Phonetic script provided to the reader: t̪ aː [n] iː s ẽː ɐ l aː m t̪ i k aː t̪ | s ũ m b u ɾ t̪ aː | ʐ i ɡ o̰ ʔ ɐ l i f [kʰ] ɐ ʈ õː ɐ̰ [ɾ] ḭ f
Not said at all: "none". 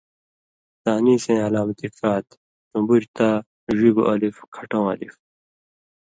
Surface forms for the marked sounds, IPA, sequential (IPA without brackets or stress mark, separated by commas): n, kʰ, l